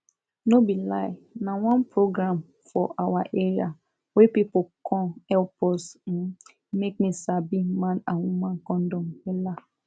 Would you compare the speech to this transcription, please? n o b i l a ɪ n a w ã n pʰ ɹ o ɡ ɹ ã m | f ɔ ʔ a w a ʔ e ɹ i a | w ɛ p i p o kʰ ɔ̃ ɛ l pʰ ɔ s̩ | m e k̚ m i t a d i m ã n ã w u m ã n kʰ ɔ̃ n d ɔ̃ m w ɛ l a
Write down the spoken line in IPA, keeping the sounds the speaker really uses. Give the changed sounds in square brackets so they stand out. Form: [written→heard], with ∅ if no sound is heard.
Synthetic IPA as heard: n o b i l a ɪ n a w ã n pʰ ɹ o ɡ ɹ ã m | f ɔ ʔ a w a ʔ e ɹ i a | w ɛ p i p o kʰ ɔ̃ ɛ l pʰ ɔ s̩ | m e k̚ m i [t→s] a [d→b] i m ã n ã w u m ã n [kʰ→k] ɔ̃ n d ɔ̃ m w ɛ l a